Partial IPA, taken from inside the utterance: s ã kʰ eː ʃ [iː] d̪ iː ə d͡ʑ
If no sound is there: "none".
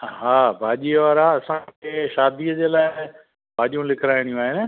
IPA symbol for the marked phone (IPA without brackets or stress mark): aː